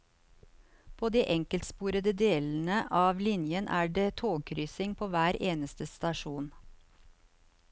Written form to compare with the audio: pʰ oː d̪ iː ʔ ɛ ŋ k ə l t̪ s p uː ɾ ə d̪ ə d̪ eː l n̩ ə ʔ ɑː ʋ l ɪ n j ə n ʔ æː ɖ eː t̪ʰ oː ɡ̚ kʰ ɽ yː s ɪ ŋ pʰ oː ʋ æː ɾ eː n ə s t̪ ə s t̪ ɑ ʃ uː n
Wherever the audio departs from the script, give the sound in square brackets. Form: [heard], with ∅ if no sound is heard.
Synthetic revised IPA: pʰ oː d̪ iː ʔ ɛ ŋ k ə l t̪ s p uː ɾ ə d̪ ə d̪ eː l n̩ ə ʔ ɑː ʋ l ɪ n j ə n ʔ æː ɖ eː t̪ʰ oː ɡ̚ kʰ [ɾ] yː s ɪ ŋ pʰ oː ʋ æː ɾ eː n ə s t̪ ə s t̪ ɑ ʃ uː n

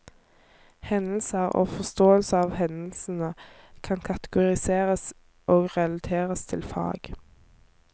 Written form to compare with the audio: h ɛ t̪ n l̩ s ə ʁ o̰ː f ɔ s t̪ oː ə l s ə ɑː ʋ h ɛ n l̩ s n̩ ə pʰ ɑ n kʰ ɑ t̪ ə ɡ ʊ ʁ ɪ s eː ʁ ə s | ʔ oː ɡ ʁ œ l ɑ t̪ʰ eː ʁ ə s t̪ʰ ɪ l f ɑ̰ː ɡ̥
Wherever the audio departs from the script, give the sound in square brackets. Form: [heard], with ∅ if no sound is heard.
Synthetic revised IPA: h ɛ [∅] n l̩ s ə ʁ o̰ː f ɔ s t̪ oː ə l s ə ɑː ʋ h ɛ n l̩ s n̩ ə [kʰ] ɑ n kʰ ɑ t̪ ə ɡ ʊ ʁ ɪ s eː ʁ ə s | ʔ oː ɡ ʁ [ɛ] l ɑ t̪ʰ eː ʁ ə s t̪ʰ ɪ l f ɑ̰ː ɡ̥

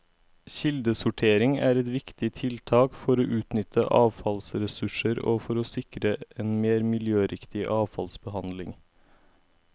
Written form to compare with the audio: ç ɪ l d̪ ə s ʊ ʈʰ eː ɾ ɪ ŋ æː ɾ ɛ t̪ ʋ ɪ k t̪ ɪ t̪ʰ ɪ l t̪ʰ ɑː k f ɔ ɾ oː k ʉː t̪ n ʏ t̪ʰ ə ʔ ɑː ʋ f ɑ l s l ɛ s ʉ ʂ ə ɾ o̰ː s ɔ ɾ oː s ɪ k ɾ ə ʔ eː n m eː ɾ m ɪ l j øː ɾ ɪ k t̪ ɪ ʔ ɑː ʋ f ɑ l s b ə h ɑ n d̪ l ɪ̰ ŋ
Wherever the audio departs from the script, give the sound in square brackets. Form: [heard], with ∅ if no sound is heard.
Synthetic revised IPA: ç ɪ l d̪ ə s ʊ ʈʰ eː ɾ ɪ ŋ æː ɾ ɛ t̪ ʋ ɪ k t̪ ɪ t̪ʰ ɪ l t̪ʰ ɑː k f ɔ ɾ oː [ʔ] ʉː t̪ n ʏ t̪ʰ ə ʔ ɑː ʋ f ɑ l s [ɾ] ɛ s ʉ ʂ ə ɾ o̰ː [f] ɔ ɾ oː s ɪ k ɾ ə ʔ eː n m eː ɾ m ɪ l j øː ɾ ɪ k t̪ ɪ ʔ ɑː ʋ f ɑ l s b ə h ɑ n d̪ l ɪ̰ ŋ

